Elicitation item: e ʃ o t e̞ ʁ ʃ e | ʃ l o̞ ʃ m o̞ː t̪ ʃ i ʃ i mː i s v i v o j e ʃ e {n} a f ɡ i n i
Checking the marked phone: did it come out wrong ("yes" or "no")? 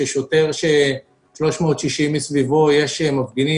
yes